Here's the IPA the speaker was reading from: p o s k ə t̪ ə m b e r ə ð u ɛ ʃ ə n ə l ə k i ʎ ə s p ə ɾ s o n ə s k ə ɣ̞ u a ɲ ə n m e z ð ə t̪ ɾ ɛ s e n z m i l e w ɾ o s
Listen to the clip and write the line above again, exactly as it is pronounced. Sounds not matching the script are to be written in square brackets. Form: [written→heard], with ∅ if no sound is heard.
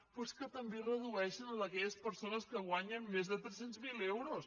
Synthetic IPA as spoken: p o s k ə t̪ ə m b e r ə ð u ɛ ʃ ə n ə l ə k [i→ɛ] ʎ ə s p ə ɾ s o n ə s k ə ɣ̞ [u→w] a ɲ ə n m e z ð ə t̪ ɾ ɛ s e n z m i l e w ɾ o s